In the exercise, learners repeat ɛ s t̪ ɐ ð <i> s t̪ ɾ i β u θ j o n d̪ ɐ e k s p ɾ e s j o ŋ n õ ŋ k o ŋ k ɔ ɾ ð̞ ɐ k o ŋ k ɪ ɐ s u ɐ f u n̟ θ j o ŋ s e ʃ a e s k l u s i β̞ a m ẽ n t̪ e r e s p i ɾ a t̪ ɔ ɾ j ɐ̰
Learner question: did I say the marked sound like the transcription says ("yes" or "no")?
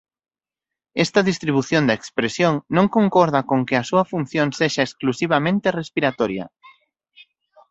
yes